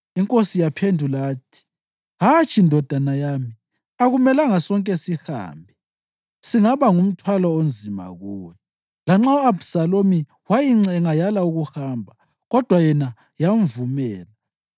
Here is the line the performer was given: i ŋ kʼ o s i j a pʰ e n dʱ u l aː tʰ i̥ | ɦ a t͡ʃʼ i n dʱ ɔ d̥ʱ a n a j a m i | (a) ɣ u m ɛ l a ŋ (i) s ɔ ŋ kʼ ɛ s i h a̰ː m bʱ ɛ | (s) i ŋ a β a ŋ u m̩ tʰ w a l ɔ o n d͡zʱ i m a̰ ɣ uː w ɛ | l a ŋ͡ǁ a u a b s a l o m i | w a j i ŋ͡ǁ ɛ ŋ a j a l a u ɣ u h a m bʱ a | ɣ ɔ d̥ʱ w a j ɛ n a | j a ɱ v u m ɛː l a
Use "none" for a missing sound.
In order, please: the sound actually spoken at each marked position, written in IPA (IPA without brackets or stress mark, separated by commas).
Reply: a, a, s